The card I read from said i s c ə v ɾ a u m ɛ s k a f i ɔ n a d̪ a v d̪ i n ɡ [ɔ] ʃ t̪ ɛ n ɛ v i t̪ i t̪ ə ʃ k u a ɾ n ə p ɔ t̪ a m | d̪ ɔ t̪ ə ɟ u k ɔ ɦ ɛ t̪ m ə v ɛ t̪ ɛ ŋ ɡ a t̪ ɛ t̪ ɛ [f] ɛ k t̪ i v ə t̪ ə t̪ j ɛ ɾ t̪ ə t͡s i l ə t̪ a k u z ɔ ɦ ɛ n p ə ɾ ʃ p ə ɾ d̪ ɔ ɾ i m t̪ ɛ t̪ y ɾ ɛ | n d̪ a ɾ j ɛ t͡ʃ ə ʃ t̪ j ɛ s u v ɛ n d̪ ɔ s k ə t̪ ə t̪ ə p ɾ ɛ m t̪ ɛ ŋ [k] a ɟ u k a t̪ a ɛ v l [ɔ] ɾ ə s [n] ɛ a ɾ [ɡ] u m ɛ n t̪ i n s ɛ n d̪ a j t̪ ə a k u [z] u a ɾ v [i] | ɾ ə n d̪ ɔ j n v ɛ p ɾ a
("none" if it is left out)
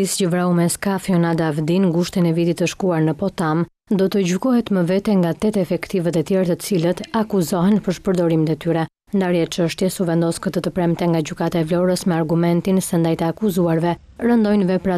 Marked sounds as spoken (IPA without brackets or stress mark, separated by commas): u, f, ɡ, ɔ, m, ɡ, z, ɛ